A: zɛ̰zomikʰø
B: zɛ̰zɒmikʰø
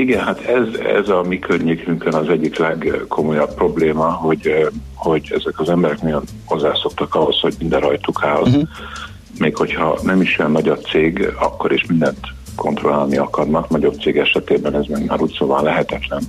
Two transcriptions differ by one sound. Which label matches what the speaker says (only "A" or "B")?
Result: B